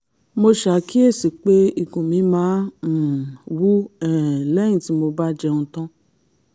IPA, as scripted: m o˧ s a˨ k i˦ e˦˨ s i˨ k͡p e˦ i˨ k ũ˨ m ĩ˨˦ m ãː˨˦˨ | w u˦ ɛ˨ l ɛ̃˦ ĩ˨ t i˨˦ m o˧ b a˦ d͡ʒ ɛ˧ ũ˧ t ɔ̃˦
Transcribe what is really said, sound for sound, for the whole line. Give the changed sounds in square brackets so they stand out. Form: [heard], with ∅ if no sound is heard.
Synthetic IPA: m o˧ [ʃ] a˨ k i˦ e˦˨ s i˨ k͡p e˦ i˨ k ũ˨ m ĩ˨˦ m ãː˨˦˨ | w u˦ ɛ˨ l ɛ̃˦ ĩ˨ t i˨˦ m o˧ b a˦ d͡ʒ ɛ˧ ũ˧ t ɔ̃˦